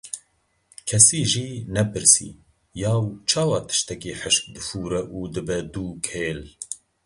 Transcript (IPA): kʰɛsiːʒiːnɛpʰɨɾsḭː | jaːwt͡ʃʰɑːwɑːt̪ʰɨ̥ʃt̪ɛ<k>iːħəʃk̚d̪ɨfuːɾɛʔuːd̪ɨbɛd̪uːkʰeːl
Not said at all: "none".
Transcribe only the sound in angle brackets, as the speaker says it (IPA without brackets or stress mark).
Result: k